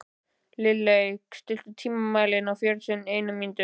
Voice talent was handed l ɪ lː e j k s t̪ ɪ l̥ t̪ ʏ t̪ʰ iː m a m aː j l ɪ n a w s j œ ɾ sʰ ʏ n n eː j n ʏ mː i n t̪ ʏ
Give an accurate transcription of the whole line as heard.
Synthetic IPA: l ɪ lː e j k s t̪ ɪ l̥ t̪ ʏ t̪ʰ iː m a m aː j l ɪ n a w f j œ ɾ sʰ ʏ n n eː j n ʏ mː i n t̪ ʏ